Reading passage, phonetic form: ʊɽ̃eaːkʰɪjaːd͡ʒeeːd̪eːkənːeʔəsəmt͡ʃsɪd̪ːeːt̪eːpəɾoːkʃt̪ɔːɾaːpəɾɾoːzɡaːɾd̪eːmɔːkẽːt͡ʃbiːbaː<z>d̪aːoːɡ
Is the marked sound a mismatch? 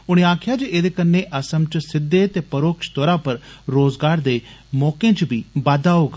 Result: yes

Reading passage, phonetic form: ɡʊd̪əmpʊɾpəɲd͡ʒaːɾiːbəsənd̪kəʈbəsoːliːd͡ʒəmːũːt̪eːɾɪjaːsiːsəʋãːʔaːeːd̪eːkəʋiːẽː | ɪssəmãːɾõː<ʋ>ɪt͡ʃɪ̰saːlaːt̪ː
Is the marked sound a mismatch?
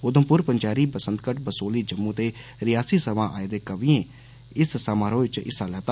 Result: no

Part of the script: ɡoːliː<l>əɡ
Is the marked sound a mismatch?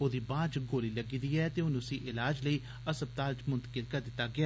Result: no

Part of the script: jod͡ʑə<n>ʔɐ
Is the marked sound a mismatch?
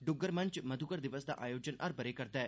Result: no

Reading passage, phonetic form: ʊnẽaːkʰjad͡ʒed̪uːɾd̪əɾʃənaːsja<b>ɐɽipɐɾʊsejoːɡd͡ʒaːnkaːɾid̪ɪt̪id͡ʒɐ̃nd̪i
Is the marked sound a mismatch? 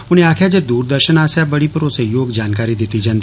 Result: no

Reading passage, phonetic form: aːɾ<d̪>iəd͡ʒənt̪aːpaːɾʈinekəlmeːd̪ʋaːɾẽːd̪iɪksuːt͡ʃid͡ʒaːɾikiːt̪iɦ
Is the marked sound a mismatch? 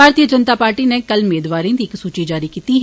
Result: yes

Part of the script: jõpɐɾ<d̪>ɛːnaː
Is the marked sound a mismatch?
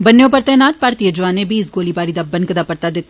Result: yes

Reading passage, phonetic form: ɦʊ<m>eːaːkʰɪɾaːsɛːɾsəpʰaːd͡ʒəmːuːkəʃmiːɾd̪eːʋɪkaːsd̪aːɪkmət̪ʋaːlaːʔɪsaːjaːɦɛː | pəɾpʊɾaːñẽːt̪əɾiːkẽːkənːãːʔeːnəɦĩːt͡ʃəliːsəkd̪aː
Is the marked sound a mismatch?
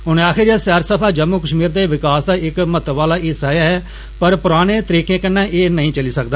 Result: yes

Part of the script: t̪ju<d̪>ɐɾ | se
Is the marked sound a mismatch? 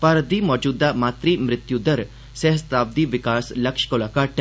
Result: no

